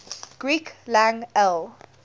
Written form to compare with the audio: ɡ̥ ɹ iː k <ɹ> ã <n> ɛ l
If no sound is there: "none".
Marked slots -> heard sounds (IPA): l, ŋ

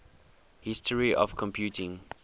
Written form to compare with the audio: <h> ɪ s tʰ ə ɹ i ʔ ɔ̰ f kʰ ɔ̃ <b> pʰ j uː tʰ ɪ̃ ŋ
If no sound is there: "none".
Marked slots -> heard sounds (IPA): h, m

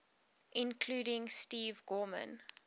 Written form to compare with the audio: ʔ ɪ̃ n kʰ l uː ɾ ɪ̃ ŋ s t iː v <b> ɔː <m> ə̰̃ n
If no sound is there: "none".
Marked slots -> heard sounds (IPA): ɡ, m

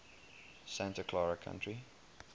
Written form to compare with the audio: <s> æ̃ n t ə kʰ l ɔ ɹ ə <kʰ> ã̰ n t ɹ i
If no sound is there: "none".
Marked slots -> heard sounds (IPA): s, kʰ

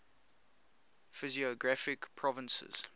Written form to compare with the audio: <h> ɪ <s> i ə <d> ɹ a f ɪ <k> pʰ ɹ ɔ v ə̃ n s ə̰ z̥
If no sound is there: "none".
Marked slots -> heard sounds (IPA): f, z, ɡ, k

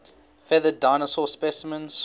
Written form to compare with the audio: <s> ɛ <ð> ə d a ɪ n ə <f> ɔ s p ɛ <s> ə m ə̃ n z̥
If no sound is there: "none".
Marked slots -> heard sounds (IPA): f, ð, s, s

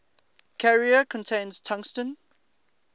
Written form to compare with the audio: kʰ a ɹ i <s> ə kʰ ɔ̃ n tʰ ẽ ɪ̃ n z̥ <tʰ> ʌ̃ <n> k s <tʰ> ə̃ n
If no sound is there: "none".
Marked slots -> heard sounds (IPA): none, tʰ, ŋ, t

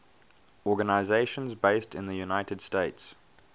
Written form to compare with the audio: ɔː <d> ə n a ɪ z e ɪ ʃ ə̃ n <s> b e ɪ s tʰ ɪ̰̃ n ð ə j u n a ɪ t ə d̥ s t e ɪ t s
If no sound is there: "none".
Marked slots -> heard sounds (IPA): ɡ, z

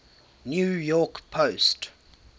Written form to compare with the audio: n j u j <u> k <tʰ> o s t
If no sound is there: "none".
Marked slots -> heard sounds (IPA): ɔ, pʰ

